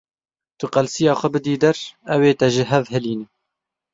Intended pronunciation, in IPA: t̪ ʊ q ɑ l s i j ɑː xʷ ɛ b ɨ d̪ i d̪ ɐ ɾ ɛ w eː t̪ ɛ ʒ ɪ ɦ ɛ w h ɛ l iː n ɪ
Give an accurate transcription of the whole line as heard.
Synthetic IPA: t̪ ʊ q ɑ l s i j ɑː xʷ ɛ b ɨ d̪ iː d̪ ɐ ɾ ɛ w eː t̪ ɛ ʒ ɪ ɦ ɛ v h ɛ l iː n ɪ